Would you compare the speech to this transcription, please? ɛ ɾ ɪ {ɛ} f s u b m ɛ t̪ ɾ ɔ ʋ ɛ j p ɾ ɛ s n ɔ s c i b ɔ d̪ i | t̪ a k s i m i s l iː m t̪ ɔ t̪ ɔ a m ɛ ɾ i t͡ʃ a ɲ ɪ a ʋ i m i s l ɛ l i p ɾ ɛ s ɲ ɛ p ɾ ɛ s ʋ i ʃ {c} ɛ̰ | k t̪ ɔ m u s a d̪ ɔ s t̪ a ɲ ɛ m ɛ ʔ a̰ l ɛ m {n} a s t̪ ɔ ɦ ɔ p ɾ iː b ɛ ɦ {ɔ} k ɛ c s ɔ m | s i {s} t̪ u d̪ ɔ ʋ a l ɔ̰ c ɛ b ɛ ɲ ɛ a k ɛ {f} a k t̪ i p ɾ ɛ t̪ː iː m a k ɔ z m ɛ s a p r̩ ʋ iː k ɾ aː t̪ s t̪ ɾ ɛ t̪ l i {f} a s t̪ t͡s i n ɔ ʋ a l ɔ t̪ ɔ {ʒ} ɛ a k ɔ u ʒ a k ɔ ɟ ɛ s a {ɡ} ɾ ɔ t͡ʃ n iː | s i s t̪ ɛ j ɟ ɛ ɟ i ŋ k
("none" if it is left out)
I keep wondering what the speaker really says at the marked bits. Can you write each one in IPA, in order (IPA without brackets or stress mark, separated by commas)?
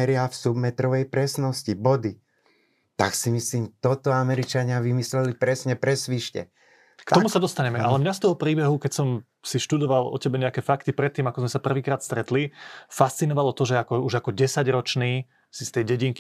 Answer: a, c, ɲ, u, ʃ, f, f, ʒ, ɟ